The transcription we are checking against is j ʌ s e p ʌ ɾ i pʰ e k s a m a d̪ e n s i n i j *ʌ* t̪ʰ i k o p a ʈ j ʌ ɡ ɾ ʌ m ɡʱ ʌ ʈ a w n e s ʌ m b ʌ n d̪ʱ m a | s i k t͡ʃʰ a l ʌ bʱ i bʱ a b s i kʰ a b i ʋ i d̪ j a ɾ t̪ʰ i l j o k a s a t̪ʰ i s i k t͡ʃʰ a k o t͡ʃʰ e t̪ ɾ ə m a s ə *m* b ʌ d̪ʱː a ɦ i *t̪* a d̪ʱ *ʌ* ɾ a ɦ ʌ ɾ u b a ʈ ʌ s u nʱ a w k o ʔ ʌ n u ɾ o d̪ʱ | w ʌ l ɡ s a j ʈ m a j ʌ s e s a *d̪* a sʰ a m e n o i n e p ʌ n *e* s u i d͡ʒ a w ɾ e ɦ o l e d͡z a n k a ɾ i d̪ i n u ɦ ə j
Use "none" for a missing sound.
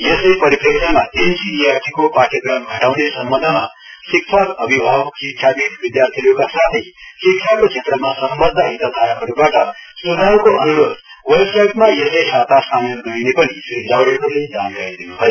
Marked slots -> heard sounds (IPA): a, m, t̪, a, t̪, i

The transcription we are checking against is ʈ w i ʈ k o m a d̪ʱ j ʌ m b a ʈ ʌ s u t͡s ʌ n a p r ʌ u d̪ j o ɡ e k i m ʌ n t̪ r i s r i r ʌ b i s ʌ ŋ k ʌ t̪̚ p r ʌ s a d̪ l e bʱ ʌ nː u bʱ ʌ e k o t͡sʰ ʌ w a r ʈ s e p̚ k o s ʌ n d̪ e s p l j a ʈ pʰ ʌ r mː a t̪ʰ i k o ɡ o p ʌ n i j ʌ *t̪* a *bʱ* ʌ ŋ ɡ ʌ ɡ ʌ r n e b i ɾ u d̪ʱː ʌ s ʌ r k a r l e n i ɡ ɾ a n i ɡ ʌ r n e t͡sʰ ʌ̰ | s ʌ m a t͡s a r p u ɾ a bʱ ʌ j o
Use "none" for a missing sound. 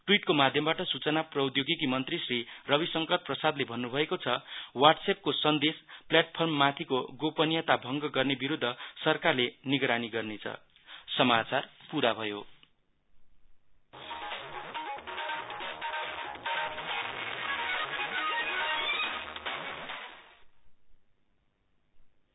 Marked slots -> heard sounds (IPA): t̪, bʱ

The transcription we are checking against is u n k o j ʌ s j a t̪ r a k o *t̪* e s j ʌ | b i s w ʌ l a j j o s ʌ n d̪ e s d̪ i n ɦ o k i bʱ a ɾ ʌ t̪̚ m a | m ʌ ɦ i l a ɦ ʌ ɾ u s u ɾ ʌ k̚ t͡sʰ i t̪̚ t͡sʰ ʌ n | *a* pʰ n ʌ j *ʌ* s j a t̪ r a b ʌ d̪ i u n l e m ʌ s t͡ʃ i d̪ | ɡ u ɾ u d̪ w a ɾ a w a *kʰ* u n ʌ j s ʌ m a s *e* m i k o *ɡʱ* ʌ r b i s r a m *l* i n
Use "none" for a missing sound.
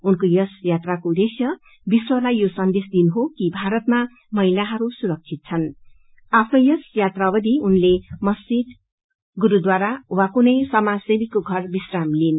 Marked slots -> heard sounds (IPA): d̪, a, ʌ, k, e, ɡʱ, l

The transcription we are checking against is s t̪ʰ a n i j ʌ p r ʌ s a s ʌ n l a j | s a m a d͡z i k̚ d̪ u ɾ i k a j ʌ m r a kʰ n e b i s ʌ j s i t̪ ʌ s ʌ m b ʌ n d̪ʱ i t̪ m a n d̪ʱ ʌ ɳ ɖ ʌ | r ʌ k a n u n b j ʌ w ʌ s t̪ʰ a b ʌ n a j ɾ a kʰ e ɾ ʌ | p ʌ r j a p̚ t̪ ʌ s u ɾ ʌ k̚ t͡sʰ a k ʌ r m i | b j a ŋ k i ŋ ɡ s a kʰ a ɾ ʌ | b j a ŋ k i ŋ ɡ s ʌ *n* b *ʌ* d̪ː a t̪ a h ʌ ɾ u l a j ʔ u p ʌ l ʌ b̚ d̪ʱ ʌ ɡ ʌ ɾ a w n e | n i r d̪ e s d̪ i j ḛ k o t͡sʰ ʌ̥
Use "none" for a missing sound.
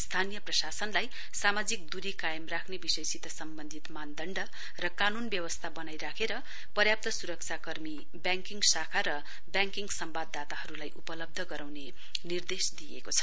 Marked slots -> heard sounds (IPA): m, a

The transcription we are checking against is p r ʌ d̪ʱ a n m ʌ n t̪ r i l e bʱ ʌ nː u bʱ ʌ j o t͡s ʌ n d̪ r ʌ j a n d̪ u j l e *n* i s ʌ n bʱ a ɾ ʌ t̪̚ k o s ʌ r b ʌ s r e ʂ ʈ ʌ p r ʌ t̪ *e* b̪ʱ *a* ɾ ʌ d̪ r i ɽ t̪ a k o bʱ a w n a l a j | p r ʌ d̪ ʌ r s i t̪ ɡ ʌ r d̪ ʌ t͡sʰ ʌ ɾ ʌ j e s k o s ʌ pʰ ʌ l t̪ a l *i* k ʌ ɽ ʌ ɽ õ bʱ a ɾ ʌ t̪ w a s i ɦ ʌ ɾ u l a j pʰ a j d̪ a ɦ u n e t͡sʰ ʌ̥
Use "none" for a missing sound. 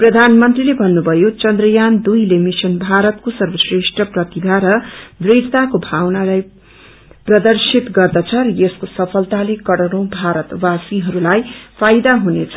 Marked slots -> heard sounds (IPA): m, i, a, e

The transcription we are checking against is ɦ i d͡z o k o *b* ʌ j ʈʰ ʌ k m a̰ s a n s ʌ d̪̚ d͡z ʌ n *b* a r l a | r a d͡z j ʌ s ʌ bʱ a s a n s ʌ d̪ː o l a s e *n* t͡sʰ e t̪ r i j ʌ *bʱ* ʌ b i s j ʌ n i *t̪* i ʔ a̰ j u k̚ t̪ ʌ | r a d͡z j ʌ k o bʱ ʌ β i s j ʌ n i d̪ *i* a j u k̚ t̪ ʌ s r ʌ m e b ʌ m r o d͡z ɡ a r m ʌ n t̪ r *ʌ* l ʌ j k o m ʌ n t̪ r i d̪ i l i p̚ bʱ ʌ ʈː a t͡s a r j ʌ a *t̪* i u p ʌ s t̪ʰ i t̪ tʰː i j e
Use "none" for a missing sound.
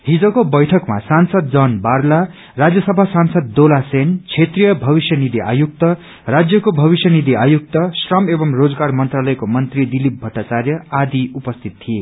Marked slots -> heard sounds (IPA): b, b, n, bʱ, d̪, i, a, d̪

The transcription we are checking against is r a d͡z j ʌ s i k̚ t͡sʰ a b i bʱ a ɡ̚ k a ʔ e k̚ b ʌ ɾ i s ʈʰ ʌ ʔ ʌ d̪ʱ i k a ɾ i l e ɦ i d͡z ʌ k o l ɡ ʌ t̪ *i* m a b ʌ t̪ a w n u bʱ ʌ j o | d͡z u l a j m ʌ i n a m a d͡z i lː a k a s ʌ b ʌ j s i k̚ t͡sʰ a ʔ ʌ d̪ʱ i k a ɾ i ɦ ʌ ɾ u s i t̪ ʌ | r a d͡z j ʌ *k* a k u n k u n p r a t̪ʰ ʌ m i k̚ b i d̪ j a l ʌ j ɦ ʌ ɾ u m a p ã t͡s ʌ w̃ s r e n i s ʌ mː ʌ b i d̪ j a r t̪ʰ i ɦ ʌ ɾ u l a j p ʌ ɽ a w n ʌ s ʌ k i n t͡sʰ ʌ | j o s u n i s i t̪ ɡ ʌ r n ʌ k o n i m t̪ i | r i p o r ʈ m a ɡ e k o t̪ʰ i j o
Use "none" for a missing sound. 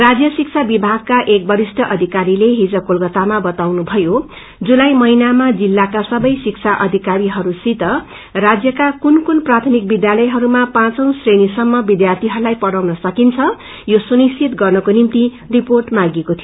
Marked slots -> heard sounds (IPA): a, k

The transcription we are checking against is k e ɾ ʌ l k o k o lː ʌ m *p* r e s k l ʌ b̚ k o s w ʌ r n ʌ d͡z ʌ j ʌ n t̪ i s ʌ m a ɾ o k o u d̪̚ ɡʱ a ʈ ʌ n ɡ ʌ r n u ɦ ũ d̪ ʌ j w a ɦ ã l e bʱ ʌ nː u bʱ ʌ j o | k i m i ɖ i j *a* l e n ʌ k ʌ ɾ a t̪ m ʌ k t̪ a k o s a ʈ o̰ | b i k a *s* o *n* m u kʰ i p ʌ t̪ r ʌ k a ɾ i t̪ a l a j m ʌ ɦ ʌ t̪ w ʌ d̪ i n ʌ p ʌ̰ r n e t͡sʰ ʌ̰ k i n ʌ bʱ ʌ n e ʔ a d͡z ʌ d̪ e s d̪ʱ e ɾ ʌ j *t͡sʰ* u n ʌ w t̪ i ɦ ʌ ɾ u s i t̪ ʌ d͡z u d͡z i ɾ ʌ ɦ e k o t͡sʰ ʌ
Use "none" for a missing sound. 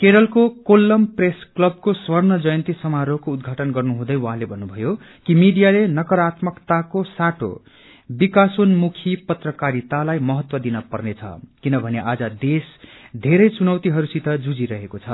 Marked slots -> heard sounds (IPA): p, a, s, n, t͡s

